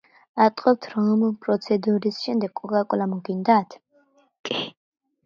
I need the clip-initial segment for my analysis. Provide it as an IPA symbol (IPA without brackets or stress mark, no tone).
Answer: a